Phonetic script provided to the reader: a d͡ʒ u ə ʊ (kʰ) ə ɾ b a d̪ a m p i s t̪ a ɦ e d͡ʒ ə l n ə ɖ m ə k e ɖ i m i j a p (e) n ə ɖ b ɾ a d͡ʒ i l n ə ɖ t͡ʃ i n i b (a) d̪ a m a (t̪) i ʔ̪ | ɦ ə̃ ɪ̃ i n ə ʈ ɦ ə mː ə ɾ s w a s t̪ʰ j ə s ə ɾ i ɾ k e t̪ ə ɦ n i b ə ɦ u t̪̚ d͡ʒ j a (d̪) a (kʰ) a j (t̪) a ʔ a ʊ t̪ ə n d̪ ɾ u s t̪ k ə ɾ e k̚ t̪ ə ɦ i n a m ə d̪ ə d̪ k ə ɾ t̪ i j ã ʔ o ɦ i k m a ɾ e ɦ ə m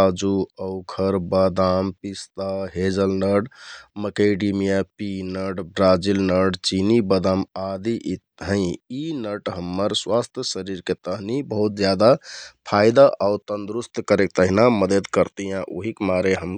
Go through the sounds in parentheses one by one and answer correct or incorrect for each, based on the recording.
correct, incorrect, incorrect, incorrect, correct, incorrect, incorrect

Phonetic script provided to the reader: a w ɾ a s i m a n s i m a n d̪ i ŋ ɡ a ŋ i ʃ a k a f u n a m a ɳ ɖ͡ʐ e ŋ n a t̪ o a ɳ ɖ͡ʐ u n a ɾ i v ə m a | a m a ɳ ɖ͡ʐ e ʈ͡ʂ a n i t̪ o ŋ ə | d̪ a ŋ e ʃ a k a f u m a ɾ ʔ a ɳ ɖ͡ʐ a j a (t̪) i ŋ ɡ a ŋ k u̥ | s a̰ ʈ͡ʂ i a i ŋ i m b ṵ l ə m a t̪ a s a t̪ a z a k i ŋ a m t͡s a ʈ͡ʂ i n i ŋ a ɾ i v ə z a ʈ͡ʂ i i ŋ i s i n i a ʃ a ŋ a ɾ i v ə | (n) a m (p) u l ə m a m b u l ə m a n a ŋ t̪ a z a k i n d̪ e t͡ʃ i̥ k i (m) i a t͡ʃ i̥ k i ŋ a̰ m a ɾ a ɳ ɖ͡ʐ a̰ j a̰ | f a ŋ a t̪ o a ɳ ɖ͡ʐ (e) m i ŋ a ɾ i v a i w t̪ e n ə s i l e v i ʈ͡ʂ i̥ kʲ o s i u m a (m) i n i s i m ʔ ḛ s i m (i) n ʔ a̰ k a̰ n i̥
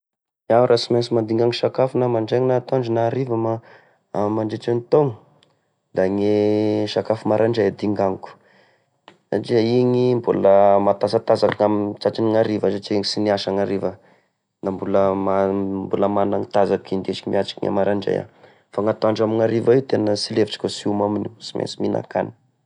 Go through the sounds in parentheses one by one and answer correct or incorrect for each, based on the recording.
incorrect, correct, incorrect, correct, incorrect, correct, correct

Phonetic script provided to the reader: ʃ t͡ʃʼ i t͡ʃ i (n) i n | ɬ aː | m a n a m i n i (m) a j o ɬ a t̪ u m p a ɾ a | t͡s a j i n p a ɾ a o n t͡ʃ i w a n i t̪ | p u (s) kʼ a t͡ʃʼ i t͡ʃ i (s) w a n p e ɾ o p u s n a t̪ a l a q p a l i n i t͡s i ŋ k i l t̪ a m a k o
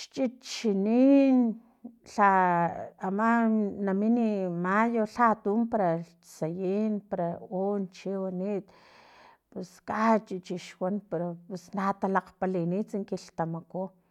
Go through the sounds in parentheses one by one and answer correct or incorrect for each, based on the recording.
correct, correct, correct, incorrect

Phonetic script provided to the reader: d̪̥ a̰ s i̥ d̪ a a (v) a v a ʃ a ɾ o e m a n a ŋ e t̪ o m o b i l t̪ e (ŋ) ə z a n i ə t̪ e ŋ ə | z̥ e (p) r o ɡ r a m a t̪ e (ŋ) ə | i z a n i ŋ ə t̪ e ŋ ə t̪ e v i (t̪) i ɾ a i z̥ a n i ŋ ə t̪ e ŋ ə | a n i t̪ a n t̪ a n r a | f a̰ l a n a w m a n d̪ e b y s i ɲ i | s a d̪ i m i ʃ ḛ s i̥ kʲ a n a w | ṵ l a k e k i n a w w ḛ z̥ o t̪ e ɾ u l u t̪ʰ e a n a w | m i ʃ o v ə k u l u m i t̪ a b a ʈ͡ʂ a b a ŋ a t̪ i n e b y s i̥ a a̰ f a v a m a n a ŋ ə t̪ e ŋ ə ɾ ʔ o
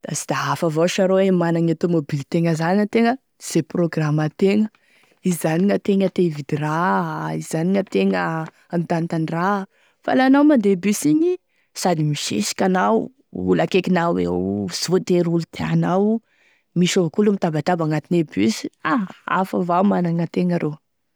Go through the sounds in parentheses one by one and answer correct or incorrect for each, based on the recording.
incorrect, correct, correct, correct, incorrect

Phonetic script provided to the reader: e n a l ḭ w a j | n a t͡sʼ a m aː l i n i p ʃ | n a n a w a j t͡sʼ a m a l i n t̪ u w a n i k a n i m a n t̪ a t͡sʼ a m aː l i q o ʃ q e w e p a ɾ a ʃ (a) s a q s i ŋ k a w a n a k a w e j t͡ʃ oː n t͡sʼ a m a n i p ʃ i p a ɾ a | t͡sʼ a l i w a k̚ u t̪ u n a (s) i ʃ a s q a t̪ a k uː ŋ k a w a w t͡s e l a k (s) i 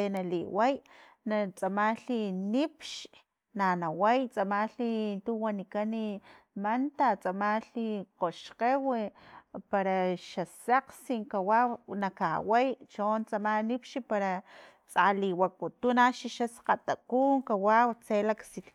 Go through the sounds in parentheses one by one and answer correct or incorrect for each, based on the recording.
correct, incorrect, correct

